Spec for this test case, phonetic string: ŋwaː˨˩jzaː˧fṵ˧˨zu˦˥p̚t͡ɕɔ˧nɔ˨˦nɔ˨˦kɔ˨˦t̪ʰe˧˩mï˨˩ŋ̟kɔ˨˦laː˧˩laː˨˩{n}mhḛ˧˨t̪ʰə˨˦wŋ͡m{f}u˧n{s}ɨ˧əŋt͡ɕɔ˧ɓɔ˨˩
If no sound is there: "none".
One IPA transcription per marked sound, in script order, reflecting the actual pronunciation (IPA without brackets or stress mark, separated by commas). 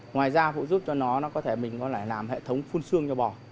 none, f, s